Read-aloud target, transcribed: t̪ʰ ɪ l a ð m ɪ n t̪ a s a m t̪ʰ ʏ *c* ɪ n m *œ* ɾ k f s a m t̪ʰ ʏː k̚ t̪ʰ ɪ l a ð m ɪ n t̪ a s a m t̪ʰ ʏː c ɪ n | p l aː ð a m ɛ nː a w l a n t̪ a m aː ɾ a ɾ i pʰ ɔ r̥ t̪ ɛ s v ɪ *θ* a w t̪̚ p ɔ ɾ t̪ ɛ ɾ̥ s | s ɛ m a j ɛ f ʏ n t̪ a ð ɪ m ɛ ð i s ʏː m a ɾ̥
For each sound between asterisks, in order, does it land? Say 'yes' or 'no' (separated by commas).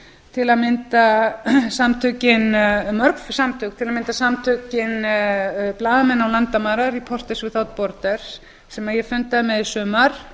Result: yes, yes, yes